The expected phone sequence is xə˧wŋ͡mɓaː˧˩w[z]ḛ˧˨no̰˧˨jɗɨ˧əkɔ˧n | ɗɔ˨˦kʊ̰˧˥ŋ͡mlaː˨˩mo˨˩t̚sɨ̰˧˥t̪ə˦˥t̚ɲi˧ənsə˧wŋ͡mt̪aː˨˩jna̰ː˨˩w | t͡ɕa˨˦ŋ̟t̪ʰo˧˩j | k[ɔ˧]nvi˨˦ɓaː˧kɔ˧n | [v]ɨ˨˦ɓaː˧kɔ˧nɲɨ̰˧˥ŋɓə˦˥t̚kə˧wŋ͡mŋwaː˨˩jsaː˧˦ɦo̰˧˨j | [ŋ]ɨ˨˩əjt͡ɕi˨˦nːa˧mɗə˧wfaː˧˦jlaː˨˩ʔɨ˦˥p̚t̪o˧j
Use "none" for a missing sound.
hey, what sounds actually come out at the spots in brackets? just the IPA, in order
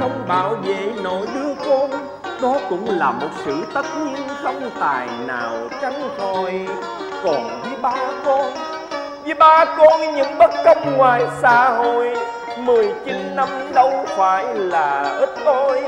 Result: v, ɔ˨˩, v, m

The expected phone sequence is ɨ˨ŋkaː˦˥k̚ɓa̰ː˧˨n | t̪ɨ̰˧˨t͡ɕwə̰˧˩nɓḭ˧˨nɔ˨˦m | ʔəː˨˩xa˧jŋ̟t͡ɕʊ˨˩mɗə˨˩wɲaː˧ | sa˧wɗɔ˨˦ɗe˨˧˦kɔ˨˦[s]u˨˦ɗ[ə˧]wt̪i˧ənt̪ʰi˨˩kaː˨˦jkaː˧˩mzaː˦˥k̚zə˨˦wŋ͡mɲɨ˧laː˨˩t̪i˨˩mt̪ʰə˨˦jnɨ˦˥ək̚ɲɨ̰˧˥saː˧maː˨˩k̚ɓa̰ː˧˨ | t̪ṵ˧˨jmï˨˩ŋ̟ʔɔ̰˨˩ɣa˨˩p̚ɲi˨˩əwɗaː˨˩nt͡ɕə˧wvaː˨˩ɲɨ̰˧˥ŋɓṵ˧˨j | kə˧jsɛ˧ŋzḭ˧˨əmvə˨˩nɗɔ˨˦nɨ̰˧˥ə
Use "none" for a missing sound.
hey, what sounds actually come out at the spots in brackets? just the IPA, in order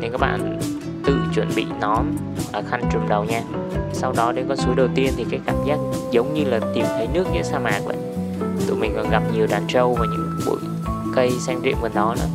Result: s, ə˨˩

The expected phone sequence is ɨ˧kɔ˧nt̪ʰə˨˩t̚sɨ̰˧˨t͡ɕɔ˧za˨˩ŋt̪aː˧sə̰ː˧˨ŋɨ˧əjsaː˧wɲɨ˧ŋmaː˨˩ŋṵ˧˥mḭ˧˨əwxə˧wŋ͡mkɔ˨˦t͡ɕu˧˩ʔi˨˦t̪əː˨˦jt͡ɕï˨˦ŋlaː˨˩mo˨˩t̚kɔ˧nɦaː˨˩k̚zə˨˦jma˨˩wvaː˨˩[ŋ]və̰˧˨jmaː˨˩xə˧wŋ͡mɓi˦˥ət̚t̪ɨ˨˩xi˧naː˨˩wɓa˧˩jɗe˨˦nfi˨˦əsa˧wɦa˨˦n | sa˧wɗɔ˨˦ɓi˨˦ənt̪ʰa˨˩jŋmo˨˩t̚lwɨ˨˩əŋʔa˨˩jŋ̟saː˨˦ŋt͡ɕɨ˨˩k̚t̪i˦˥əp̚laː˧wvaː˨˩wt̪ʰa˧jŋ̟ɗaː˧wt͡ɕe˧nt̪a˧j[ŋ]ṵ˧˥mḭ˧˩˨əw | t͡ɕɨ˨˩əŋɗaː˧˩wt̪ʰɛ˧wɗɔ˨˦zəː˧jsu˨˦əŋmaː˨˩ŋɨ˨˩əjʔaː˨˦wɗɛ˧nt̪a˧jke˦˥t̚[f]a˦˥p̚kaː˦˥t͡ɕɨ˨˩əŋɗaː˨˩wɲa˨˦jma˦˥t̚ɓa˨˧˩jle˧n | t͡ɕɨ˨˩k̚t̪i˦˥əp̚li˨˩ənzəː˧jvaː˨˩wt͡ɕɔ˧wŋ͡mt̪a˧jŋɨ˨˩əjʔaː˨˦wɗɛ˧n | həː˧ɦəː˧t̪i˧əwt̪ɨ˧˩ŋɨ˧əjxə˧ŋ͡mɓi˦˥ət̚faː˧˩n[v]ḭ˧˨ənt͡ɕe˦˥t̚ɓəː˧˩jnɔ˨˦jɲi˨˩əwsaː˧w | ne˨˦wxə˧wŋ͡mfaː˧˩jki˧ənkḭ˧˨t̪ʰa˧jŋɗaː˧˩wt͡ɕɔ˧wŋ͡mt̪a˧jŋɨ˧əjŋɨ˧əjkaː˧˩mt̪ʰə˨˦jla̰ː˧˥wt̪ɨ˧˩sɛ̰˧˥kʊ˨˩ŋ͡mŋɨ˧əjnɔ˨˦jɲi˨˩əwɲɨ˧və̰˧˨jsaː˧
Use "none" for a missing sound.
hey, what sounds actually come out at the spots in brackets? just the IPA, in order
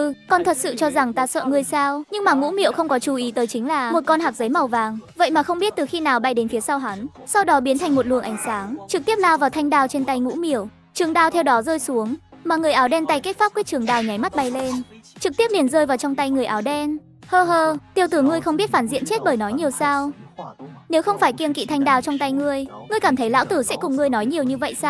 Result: ŋ, ŋ, f, z

